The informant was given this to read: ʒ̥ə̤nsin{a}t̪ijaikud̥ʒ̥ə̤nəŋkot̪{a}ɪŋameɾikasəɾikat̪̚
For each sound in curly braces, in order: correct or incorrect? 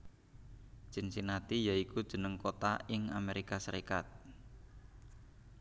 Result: correct, correct

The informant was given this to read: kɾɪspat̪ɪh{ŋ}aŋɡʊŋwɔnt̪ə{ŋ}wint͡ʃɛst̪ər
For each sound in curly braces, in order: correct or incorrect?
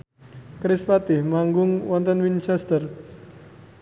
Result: incorrect: m, incorrect: n

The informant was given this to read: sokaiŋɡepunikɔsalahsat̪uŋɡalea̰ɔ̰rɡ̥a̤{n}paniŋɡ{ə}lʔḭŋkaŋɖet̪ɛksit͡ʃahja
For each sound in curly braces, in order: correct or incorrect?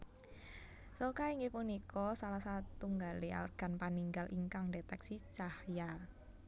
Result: correct, incorrect: a

